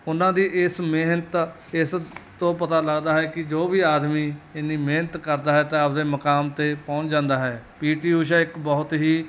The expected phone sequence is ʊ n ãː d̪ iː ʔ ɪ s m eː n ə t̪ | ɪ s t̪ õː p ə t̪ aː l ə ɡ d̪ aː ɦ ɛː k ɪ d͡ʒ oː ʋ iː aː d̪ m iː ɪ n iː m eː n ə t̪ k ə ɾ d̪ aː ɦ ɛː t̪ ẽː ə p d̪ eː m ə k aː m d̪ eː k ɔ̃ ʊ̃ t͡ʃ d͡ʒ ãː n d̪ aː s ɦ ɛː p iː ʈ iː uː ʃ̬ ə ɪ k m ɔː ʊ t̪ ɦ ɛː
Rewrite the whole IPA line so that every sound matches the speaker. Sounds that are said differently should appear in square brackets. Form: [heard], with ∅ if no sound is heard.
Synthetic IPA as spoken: ʊ n ãː d̪ iː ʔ ɪ s m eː n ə t̪ | ɪ s t̪ õː p ə t̪ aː l ə ɡ d̪ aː ɦ ɛː k ɪ d͡ʒ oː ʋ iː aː d̪ m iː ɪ n iː m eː n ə t̪ k ə ɾ d̪ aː ɦ ɛː t̪ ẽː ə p d̪ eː m ə k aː m [t̪] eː [p] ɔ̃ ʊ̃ t͡ʃ d͡ʒ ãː n d̪ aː [∅] ɦ ɛː p iː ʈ iː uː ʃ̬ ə ɪ k [b] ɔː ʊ t̪ ɦ [iː]